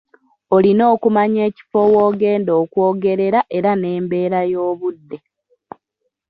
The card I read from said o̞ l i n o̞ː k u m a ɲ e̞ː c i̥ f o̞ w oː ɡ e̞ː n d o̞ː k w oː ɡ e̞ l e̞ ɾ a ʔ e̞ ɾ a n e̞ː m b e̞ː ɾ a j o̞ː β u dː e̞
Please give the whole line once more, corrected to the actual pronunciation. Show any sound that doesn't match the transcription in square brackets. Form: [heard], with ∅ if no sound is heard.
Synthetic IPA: o̞ l i n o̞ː k u m a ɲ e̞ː c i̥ f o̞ w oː ɡ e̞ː n d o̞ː k w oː ɡ e̞ [ɾ] e̞ ɾ a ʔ e̞ ɾ a n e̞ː m b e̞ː ɾ a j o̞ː β u dː e̞